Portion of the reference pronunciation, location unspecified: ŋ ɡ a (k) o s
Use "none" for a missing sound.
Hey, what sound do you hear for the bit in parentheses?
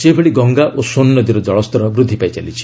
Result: ʔ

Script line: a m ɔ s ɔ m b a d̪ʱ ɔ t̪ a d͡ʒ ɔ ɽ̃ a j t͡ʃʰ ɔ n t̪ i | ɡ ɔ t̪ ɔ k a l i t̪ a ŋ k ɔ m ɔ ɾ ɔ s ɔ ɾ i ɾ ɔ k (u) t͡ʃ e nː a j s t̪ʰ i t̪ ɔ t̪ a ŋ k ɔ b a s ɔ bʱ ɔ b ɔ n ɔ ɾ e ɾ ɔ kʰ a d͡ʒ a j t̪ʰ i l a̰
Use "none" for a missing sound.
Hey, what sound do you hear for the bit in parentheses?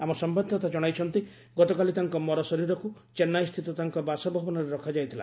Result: u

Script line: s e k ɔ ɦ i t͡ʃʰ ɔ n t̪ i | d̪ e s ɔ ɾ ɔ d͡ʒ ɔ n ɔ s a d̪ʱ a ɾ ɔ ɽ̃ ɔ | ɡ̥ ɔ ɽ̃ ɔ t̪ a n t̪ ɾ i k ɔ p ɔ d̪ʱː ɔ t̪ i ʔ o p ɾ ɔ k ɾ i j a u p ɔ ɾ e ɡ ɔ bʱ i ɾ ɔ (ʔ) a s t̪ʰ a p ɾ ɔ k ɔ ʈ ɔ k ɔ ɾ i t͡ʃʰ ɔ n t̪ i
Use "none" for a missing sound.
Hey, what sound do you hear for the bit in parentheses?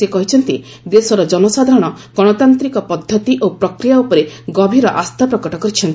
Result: ʔ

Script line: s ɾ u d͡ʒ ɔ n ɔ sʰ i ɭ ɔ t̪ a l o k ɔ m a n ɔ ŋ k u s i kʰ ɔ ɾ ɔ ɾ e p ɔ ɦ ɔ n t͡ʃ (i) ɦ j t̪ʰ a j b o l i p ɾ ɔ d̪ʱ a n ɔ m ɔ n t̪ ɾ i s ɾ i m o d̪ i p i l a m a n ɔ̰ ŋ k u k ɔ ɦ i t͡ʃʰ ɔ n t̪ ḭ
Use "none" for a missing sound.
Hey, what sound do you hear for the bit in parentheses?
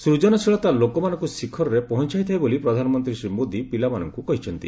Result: a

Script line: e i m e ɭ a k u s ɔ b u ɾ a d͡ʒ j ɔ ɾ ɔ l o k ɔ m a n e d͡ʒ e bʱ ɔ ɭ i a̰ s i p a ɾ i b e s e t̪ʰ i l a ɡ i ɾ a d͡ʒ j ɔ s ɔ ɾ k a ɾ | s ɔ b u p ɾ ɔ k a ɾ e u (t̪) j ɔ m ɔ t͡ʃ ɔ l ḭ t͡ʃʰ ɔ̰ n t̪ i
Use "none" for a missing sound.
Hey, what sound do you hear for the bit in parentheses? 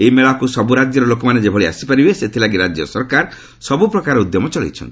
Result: d̪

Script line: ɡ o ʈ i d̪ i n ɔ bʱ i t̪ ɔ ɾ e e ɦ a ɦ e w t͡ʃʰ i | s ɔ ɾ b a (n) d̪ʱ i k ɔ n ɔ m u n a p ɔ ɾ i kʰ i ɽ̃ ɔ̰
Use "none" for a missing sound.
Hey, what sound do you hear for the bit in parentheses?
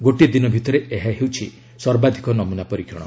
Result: none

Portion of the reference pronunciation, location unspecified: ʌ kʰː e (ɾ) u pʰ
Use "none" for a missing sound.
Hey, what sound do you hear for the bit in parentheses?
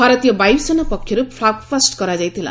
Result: ɾ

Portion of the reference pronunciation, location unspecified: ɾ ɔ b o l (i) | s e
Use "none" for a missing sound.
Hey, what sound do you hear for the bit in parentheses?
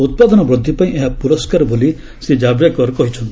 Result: i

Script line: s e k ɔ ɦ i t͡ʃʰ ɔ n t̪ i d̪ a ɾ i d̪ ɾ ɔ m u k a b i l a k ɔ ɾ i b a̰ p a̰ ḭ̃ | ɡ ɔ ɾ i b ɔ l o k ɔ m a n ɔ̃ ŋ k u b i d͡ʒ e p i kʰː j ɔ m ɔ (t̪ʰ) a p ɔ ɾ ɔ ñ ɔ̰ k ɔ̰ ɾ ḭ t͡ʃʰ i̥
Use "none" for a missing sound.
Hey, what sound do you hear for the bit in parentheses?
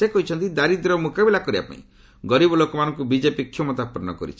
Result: t̪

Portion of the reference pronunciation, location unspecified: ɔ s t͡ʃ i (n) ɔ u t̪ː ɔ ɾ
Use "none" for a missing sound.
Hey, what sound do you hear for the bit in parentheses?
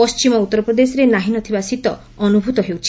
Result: m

